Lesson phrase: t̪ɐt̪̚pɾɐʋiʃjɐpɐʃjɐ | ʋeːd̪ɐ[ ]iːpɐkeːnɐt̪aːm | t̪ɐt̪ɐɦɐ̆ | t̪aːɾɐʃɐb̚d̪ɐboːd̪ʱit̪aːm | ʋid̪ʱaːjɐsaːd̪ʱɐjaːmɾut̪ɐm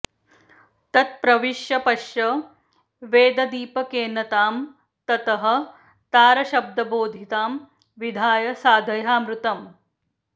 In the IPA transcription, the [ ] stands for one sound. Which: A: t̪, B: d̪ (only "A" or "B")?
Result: B